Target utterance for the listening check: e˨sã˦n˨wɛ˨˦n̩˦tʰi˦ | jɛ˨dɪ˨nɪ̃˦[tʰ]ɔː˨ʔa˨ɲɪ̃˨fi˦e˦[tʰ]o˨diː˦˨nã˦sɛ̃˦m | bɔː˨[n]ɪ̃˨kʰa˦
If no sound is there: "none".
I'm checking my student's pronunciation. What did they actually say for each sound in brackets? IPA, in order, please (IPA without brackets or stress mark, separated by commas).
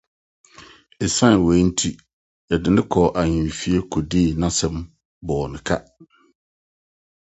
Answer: kʰ, kʰ, n